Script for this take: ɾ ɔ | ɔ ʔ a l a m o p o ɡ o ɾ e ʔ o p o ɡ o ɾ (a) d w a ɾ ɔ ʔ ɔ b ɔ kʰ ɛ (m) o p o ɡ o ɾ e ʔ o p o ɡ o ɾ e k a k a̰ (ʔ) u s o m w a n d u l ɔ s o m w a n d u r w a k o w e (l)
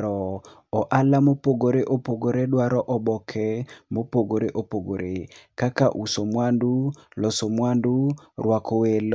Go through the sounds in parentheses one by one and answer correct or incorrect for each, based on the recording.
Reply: incorrect: e, correct, correct, correct

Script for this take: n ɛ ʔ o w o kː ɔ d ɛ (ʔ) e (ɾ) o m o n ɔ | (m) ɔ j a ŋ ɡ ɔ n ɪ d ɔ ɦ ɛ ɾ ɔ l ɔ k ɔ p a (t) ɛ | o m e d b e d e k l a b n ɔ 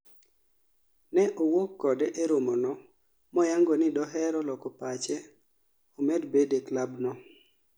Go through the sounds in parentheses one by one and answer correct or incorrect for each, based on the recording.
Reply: correct, correct, correct, incorrect: t͡ʃ

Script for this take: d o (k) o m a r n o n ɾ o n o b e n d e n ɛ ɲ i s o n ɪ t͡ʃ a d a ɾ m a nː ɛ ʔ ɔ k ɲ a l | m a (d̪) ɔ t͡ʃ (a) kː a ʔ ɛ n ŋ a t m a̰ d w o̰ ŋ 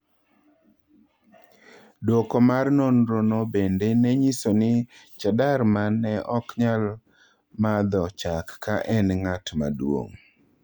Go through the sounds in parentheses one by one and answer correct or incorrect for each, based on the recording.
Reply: correct, correct, correct

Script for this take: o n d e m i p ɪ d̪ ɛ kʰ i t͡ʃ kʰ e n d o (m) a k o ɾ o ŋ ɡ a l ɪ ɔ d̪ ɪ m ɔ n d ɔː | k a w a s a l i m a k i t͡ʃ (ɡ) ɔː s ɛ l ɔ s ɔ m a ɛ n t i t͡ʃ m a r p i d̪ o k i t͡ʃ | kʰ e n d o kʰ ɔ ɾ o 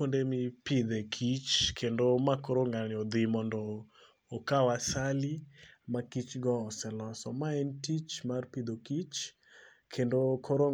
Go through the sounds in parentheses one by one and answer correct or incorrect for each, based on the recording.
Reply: correct, correct

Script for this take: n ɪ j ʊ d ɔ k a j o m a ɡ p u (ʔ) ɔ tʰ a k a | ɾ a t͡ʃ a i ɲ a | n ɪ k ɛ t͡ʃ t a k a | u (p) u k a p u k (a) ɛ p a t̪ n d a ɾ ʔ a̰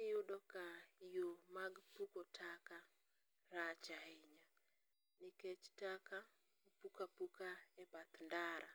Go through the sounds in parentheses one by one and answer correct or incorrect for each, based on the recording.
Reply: incorrect: k, correct, correct

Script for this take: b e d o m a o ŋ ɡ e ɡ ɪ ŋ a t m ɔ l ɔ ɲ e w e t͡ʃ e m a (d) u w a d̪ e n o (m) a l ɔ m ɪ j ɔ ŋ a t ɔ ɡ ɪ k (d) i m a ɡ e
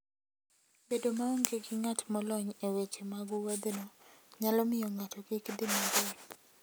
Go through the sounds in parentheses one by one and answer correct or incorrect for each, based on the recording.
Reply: incorrect: ɡ, incorrect: ɲ, correct

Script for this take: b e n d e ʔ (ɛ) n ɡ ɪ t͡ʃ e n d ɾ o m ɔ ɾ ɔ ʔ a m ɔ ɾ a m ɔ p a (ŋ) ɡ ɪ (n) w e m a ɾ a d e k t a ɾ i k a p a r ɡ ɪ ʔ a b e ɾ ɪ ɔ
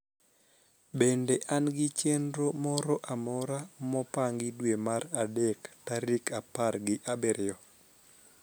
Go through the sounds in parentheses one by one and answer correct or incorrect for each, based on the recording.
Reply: incorrect: a, correct, incorrect: d

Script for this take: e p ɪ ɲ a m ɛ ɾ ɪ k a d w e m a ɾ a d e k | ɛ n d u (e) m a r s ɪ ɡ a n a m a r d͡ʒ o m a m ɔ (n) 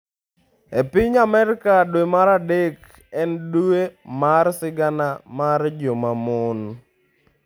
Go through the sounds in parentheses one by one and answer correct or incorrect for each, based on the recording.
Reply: correct, correct

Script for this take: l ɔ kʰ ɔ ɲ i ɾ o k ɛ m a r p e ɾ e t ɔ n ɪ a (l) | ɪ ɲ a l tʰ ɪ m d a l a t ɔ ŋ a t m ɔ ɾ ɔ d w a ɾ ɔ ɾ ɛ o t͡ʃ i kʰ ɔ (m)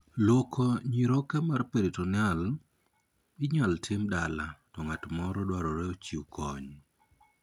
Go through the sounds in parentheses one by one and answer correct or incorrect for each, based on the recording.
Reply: correct, incorrect: ɲ

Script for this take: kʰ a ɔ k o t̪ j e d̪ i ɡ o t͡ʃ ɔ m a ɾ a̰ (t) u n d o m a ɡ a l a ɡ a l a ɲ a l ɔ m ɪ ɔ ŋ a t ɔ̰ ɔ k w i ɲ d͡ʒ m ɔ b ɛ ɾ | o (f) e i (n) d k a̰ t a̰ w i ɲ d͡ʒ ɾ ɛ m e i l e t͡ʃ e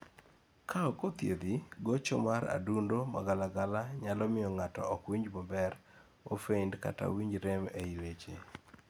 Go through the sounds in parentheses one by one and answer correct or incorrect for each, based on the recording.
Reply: incorrect: d, correct, correct

